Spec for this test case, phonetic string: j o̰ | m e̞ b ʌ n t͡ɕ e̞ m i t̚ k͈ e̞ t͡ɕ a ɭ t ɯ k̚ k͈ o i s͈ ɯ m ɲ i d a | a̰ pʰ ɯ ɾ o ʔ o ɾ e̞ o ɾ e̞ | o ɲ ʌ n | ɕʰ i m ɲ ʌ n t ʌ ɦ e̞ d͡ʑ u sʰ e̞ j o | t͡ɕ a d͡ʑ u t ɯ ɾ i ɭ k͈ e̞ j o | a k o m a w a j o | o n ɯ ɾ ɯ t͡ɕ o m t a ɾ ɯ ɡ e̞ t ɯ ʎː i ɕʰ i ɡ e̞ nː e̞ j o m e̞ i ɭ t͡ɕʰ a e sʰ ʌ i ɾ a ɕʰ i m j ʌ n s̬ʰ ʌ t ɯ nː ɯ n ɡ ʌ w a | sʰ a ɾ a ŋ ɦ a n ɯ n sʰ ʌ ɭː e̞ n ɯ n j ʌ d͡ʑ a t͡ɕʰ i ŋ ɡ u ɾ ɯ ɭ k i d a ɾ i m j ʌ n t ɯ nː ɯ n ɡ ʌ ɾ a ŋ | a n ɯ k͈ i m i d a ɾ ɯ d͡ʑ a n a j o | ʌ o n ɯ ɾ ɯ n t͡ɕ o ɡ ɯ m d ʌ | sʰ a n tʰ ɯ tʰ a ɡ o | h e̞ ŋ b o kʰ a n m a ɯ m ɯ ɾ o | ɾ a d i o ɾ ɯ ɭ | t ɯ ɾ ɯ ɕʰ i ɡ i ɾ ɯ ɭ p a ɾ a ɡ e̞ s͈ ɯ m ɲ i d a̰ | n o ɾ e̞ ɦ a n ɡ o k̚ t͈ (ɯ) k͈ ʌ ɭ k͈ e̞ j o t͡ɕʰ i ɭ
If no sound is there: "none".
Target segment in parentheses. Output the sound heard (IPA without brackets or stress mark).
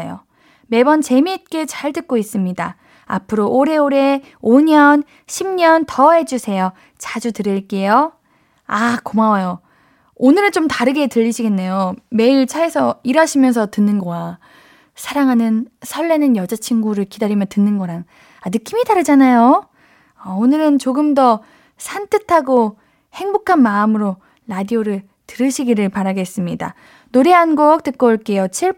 ɯ